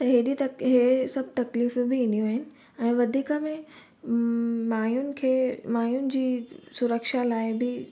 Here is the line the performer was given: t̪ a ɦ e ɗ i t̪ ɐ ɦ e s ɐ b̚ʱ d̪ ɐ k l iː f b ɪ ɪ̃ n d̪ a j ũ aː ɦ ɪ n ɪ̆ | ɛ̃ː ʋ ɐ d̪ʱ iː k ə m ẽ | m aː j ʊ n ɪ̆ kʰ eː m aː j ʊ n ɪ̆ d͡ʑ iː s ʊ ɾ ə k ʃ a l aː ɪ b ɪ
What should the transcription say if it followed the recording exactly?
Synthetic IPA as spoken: t̪ ɐ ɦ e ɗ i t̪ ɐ ɦ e s ɐ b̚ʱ t̪ ɐ k l iː f b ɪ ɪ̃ n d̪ i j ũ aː ɦ ɪ n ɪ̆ | ɛ̃ː ʋ ɐ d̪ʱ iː k ə m ẽ | m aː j ʊ n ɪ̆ kʰ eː m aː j ʊ n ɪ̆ d͡ʑ iː s ʊ ɾ ə k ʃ a l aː ɪ b ɪ